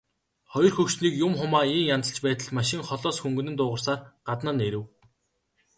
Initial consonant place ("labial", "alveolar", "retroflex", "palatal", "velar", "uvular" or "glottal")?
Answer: uvular